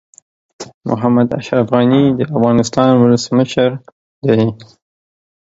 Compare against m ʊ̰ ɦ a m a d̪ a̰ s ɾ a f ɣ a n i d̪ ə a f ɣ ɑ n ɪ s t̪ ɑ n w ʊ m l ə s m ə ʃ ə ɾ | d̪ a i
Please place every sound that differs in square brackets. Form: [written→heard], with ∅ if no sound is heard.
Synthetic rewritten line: m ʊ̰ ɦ a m a d̪ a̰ [s→ʃ] ɾ a f ɣ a n i d̪ ə a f ɣ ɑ n ɪ s t̪ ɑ n w ʊ [m→∅] l ə s m ə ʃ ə ɾ | d̪ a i